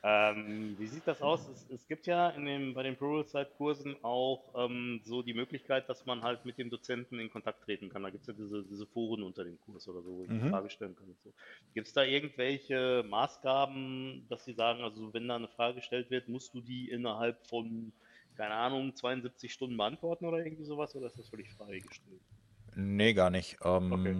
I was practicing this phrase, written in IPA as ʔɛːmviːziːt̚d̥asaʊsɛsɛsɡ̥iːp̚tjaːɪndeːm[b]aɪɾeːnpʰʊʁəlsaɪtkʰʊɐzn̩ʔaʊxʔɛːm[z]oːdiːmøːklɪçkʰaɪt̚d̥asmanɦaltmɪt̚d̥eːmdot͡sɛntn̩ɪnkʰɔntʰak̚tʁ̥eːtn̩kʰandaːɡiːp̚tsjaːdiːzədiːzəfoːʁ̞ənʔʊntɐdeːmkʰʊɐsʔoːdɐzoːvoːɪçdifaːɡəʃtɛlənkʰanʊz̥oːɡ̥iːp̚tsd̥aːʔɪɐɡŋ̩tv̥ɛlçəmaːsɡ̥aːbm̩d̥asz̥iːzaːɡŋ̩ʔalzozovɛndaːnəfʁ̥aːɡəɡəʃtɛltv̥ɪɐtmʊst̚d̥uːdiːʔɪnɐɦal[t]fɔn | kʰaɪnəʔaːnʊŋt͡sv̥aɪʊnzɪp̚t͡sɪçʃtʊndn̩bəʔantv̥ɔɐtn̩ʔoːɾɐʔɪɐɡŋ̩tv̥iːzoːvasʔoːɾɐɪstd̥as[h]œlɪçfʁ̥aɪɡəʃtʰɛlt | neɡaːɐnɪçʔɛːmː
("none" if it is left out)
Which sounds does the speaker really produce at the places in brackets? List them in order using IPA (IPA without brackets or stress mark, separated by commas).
b, z, p, f